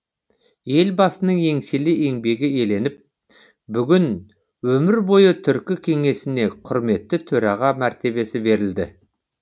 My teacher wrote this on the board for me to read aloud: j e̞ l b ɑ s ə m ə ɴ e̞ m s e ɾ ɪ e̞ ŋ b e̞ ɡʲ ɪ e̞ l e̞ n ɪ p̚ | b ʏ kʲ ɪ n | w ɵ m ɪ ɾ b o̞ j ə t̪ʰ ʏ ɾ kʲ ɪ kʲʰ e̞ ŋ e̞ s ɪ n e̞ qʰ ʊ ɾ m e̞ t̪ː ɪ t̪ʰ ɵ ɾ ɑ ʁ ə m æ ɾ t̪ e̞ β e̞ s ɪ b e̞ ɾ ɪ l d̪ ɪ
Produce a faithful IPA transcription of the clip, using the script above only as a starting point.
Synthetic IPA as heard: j e̞ l b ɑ s ə n ə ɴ e̞ ŋ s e l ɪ e̞ ŋ b e̞ ɡʲ ɪ e̞ l e̞ n ɪ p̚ | b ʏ ɡʲ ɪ n | w ɵ m ɪ ɾ b o̞ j ə t̪ʰ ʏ ɾ kʲ ɪ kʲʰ e̞ ŋ e̞ s ɪ n e̞ qʰ ʊ ɾ m e̞ t̪ː ɪ t̪ʰ ɵ ɾ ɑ ʁ ɑ m æ ɾ t̪ e̞ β e̞ s ɪ b e̞ ɾ ɪ l d̪ ɪ